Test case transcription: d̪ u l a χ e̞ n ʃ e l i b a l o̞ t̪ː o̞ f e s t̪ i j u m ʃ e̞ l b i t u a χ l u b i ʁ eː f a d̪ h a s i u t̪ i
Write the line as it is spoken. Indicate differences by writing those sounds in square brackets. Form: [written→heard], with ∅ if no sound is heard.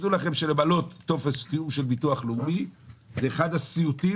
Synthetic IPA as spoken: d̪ u l a χ e̞ [n→m] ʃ e l [i→e] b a l o̞ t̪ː o̞ f e s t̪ i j u m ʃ e̞ l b i t u a χ l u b i [ʁ→z] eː [f→χ] a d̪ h a s i u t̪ i